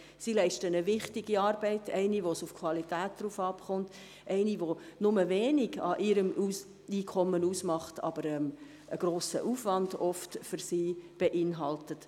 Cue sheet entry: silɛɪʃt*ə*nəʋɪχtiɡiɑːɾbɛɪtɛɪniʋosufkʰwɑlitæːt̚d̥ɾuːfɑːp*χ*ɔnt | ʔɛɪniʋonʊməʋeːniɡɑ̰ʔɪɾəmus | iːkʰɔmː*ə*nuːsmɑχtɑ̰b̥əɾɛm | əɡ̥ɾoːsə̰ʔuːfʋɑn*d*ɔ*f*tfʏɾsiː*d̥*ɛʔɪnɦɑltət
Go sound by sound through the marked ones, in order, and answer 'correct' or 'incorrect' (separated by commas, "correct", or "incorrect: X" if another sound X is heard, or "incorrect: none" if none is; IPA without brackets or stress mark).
correct, correct, correct, correct, correct, incorrect: b̥